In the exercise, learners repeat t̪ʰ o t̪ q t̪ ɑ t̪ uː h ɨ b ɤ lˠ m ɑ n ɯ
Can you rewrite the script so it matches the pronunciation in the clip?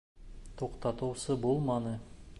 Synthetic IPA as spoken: t̪ʰ o q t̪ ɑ t̪ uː s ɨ b o lˠ m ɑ n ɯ